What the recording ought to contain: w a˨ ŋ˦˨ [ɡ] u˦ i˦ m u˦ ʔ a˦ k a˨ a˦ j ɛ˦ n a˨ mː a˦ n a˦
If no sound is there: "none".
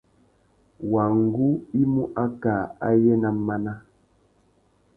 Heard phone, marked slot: ɡ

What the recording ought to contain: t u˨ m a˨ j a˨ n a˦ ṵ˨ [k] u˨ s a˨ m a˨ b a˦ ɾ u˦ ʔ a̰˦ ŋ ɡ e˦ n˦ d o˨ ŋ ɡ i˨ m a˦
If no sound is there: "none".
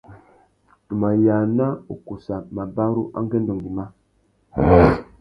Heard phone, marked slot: k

